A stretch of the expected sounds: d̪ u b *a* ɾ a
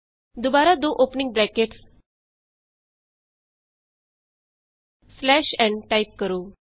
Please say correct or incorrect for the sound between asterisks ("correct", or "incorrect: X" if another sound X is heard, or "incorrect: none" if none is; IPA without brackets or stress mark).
correct